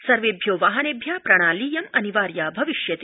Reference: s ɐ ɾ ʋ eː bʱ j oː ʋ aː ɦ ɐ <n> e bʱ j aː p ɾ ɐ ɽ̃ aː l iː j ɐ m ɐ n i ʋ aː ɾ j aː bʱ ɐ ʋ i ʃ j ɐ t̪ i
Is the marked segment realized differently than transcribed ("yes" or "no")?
no